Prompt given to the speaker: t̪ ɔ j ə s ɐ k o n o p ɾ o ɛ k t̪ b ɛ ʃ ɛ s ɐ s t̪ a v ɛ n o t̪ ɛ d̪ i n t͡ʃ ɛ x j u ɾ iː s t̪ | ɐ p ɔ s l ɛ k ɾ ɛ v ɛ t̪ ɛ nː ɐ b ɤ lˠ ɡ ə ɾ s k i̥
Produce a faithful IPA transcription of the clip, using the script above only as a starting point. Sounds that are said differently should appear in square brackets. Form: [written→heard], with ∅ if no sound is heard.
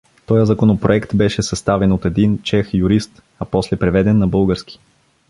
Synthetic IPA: t̪ ɔ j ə [s→z] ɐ k o n o p ɾ o ɛ k t̪ b ɛ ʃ ɛ s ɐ s t̪ a v ɛ n o t̪ ɛ d̪ i n t͡ʃ ɛ x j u ɾ [iː→i] s t̪ | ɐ p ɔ s l ɛ [k→p] ɾ ɛ v ɛ [t̪→d̪] ɛ nː ɐ b ɤ lˠ ɡ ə ɾ s k i̥